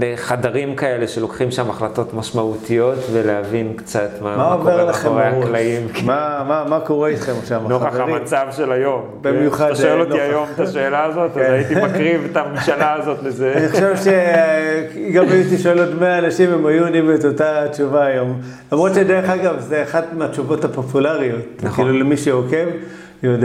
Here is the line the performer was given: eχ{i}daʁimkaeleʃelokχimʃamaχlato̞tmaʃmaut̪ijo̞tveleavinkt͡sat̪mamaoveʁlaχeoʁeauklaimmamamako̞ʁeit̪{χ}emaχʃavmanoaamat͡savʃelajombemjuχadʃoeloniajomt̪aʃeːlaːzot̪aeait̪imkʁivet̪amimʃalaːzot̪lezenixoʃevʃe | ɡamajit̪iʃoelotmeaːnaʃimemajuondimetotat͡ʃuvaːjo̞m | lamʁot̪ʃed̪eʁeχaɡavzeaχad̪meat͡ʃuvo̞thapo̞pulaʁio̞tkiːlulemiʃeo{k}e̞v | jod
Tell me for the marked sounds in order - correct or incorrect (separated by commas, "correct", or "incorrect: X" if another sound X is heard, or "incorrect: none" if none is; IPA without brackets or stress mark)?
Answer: incorrect: a, correct, correct